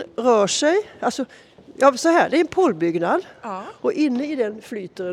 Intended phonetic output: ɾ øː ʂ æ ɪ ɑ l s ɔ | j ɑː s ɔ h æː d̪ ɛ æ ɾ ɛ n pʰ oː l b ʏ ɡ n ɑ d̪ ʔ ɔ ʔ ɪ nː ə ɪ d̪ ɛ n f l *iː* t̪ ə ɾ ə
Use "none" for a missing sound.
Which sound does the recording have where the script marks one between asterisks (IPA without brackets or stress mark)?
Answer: yː